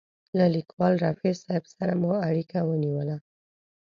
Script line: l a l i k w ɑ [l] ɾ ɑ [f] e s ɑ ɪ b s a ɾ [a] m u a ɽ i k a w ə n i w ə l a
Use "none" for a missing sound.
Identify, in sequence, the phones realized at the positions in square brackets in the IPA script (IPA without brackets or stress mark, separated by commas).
l, f, a